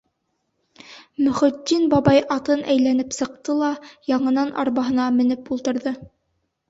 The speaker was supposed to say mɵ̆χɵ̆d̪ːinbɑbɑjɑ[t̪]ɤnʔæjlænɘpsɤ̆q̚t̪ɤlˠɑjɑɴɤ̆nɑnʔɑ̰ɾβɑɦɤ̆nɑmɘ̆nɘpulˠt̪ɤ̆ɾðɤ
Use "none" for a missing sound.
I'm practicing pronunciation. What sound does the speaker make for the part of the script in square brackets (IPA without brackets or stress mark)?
t̪